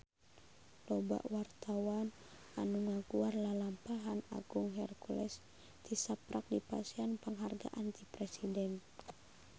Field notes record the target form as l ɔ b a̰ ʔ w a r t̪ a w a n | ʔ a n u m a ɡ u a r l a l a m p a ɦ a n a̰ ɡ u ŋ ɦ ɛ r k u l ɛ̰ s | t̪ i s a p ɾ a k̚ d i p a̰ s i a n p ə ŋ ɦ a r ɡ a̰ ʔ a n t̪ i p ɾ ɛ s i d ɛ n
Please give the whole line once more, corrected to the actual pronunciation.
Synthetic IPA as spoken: l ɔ b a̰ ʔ w a r t̪ a w a n | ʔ a n u ŋ a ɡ u a r l a l a m p a ɦ a n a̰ ɡ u ŋ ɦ ɛ r k u l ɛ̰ s | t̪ i s a p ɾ a k̚ d i p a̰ s i a n p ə ŋ ɦ a r ɡ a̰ ʔ a n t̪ i p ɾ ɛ s i d ɛ n